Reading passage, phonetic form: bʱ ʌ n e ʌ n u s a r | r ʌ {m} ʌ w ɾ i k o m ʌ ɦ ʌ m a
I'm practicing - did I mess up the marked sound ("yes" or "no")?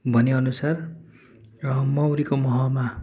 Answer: no